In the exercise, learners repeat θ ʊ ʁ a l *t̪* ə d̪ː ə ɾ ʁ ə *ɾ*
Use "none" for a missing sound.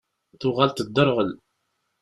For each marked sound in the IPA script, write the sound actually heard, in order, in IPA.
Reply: t̪, l

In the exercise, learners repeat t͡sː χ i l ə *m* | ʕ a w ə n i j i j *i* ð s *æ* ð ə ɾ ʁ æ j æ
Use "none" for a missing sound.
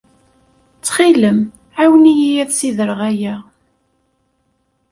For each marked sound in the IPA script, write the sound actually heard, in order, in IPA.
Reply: m, æ, i

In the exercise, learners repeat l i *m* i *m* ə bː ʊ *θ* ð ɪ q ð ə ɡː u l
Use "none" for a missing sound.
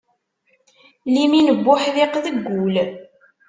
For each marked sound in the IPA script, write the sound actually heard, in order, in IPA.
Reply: m, n, ħ

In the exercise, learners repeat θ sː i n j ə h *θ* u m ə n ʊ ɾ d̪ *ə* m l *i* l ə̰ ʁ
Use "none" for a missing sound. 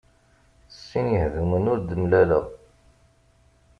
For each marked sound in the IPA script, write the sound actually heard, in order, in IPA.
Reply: ð, ə, æ

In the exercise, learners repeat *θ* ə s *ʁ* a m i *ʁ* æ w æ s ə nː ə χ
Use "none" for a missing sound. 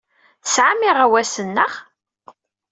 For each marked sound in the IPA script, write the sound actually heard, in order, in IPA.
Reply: θ, ʕ, ʁ

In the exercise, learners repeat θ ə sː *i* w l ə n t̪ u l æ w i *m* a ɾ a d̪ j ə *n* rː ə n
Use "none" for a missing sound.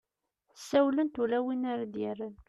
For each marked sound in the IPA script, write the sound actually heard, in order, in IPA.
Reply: æ, n, none

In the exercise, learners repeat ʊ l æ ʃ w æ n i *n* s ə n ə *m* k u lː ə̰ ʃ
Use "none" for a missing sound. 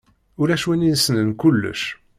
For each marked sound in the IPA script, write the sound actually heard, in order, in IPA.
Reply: n, n

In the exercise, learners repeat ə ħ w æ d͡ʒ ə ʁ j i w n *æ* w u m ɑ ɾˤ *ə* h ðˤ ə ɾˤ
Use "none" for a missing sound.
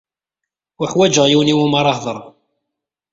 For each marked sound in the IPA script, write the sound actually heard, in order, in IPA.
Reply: i, ɑ

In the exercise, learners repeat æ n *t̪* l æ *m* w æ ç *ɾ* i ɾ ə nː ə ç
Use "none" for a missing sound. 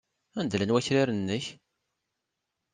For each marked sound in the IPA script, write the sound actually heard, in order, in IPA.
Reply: d̪, n, ɾ

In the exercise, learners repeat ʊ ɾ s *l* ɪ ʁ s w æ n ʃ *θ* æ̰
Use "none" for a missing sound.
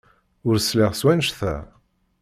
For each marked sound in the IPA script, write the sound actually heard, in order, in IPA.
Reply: l, θ

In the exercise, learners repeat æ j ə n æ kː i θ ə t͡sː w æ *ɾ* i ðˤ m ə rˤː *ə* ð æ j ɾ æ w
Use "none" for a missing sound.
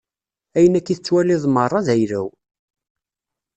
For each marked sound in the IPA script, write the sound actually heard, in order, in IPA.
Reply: l, ɑ

